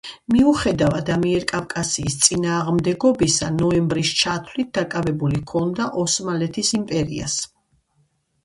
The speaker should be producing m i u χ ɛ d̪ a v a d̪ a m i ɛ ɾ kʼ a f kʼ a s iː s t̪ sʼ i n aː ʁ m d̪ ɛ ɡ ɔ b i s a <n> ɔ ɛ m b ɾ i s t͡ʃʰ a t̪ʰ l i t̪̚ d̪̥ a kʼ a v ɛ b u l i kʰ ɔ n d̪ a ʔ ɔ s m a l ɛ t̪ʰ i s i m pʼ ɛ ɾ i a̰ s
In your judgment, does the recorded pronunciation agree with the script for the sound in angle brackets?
yes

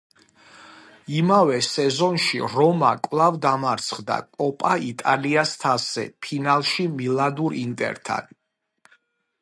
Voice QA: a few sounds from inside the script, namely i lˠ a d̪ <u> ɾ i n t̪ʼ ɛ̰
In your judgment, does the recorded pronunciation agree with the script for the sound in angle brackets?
yes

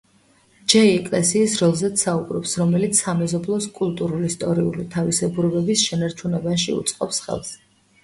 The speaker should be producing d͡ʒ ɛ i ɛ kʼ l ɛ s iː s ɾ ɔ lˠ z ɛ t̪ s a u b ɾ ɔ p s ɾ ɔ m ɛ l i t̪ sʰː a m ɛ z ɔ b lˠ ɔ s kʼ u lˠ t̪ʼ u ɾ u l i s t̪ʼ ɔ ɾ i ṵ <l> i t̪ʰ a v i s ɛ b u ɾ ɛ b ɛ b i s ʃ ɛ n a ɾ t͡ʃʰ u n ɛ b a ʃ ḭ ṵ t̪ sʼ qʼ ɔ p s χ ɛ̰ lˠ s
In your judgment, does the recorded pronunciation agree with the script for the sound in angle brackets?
yes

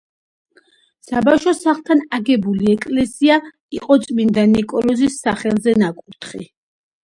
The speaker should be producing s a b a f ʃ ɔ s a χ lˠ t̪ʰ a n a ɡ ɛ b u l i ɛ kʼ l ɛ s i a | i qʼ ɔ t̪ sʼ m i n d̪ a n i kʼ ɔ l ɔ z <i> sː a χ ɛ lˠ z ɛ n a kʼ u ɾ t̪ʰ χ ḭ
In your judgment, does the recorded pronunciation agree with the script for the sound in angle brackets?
yes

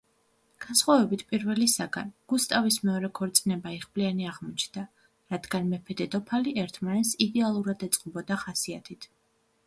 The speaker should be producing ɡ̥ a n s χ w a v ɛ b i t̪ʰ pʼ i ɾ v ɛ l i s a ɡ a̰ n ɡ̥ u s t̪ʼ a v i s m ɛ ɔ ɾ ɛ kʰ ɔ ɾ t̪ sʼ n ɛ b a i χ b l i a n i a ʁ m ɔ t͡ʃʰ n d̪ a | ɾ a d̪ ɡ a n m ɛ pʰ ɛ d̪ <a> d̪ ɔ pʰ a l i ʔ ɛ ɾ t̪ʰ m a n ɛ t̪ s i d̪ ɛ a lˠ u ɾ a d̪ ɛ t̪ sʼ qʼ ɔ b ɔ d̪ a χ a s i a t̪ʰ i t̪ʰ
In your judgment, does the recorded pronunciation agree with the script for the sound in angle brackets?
no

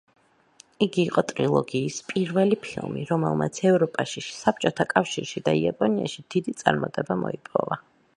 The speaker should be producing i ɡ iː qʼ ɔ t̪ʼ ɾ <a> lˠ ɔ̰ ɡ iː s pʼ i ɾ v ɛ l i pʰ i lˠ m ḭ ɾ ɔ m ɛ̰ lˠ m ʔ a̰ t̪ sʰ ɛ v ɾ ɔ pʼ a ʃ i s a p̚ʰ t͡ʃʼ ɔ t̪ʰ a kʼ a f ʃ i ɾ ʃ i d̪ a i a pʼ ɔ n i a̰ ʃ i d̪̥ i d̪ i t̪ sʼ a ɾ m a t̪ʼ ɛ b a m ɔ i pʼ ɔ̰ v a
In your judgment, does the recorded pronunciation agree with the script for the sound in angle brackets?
no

